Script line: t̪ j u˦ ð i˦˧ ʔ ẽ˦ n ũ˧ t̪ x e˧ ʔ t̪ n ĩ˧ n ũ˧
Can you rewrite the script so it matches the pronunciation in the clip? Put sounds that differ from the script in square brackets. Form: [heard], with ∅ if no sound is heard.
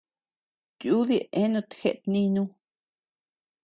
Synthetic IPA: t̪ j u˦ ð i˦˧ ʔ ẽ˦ n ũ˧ t̪ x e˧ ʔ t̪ n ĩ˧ n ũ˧